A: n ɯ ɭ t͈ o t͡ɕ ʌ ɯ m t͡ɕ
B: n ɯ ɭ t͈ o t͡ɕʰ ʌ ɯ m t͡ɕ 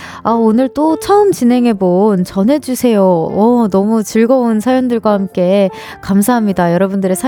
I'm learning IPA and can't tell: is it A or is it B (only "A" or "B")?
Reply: B